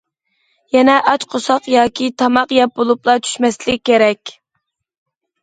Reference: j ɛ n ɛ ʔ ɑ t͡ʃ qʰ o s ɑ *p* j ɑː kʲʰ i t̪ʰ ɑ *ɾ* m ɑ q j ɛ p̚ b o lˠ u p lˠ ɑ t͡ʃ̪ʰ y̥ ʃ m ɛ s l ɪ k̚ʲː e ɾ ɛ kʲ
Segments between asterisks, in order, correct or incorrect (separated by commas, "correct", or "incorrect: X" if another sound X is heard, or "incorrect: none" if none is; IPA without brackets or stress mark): incorrect: q, incorrect: none